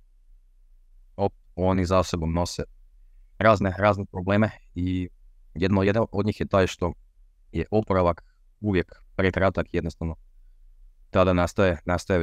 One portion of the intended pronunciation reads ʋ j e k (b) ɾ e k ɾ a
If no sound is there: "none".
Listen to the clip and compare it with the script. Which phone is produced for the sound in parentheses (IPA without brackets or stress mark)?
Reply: p